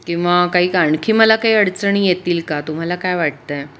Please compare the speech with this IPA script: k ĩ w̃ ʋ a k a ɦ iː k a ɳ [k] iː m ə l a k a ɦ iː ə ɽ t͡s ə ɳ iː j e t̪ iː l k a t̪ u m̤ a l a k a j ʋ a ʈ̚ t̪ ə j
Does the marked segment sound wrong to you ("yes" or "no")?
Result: yes